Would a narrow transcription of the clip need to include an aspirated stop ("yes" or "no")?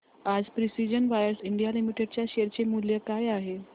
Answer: no